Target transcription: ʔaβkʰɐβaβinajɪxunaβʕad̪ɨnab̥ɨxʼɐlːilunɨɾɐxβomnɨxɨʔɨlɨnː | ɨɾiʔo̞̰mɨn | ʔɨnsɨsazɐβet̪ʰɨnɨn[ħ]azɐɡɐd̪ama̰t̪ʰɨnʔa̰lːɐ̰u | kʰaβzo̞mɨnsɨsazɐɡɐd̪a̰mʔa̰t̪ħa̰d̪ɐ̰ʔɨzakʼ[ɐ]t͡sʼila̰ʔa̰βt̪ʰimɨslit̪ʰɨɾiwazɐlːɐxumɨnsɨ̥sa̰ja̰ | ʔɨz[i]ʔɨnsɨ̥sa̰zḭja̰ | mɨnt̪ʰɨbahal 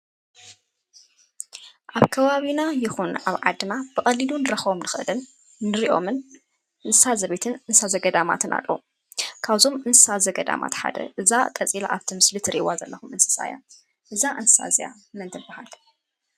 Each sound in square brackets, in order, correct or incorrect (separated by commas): incorrect, correct, incorrect